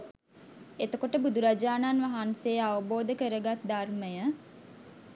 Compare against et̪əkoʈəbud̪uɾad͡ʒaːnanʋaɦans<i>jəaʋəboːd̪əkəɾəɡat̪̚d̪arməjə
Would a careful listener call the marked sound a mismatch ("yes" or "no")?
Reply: yes